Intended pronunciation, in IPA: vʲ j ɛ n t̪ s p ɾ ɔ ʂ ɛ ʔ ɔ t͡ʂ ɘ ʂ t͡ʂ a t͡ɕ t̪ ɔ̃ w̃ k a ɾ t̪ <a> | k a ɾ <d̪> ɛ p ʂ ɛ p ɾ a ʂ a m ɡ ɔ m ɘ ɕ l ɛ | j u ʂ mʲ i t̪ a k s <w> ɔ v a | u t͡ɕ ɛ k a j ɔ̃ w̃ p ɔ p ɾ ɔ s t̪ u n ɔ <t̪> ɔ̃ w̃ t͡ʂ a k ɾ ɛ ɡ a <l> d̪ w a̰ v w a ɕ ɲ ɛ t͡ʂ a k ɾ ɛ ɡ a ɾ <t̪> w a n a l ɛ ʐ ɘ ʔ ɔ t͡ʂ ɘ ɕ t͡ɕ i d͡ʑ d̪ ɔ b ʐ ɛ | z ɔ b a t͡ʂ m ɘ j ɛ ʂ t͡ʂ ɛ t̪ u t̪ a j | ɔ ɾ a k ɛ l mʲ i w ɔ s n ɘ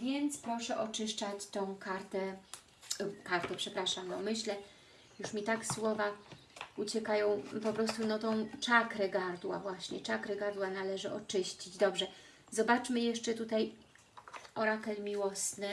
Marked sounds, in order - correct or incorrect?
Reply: incorrect: ɛ, incorrect: t̪, correct, correct, incorrect: ɾ, incorrect: d̪

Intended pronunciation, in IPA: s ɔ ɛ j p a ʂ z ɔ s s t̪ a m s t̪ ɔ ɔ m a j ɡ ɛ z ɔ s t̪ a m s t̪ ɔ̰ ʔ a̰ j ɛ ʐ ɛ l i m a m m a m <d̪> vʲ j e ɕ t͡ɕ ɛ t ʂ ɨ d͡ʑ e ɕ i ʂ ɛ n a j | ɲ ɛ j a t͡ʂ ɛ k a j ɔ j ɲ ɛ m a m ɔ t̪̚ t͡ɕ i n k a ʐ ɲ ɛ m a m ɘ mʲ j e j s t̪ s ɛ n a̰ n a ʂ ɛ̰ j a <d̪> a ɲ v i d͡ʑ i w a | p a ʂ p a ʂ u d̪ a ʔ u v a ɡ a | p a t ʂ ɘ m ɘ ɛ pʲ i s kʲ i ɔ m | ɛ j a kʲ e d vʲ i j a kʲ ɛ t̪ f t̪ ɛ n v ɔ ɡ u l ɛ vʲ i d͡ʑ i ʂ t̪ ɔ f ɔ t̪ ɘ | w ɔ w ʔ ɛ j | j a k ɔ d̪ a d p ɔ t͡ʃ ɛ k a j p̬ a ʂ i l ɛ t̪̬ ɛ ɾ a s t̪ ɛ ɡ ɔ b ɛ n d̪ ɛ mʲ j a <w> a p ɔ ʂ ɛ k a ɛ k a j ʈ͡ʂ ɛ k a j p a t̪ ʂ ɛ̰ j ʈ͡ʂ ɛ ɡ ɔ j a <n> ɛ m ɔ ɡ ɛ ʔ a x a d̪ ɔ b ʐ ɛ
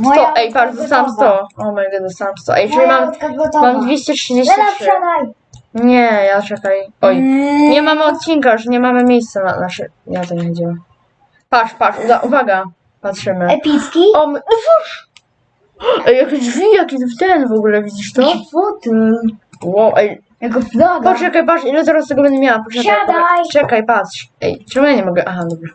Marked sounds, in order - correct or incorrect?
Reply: correct, incorrect: t̪, correct, incorrect: ɲ

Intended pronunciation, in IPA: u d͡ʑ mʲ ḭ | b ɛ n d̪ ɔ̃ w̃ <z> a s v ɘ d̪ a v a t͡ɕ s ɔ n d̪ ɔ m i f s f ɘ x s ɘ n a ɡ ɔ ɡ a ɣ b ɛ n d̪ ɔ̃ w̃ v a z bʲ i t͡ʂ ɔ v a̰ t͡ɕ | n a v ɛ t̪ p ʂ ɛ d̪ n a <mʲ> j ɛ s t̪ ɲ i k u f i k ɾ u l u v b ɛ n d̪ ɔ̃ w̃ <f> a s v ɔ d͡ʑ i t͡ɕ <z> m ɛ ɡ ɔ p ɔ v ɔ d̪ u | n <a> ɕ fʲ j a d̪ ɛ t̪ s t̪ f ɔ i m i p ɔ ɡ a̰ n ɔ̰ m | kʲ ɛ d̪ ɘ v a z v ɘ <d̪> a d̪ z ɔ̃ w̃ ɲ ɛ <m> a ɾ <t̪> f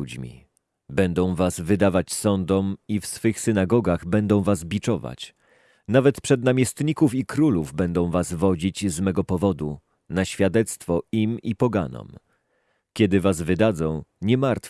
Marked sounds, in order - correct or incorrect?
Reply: incorrect: v, correct, incorrect: v, correct, correct, correct, correct, correct

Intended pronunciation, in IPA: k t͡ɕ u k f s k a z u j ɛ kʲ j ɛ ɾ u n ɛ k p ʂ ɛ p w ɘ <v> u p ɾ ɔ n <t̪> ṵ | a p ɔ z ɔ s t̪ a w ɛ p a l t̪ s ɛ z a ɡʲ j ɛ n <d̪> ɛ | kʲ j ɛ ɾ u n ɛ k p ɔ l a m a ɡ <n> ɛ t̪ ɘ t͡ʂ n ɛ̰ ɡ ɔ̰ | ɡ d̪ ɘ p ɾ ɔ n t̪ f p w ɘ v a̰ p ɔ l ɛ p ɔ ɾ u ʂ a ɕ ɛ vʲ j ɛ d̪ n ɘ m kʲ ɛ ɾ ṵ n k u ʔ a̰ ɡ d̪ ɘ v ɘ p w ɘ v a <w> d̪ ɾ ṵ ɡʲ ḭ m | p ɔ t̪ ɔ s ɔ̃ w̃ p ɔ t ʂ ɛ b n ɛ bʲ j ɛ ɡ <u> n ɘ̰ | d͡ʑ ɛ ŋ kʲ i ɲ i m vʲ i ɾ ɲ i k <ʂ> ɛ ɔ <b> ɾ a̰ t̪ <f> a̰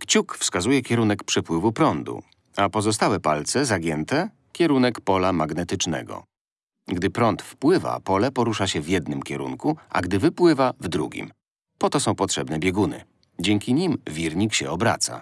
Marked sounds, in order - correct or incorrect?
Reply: correct, incorrect: d̪, incorrect: t̪, correct, incorrect: v, correct, incorrect: ɕ, correct, incorrect: s

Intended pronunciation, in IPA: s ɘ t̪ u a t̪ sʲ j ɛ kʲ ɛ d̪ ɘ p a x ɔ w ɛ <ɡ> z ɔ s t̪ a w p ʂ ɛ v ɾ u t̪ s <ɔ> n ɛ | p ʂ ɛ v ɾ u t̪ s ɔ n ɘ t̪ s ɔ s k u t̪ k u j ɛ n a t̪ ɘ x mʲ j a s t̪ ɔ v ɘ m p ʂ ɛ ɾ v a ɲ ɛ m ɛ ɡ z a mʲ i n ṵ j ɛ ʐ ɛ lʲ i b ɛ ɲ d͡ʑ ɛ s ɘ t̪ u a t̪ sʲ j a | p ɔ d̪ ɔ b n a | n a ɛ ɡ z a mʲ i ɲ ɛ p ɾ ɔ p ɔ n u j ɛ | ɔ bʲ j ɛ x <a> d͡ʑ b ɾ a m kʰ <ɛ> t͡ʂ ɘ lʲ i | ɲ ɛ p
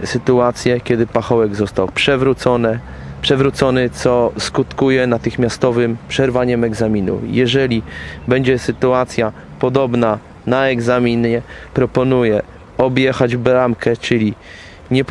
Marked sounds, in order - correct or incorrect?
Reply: correct, correct, correct, correct

